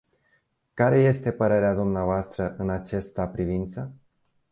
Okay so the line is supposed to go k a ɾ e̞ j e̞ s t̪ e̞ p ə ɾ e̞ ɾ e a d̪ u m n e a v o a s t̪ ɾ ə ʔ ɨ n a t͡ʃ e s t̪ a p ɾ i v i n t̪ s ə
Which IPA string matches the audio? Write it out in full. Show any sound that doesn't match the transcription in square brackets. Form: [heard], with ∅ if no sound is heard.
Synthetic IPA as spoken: k a ɾ e̞ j e̞ s t̪ e̞ p ə ɾ e̞ ɾ e a d̪ u m n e a v o a s t̪ ɾ ə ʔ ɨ n a t͡ʃ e s t̪ a p ɾ i v i n t̪ s ə